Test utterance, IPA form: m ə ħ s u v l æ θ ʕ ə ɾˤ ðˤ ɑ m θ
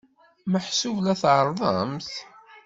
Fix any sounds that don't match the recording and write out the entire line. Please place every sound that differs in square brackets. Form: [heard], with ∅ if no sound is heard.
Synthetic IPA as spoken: m ə ħ s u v l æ θ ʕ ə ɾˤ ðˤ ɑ m θ